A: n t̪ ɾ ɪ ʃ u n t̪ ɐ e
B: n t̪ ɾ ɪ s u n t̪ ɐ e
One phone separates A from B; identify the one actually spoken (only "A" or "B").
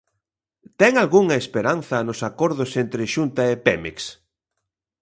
A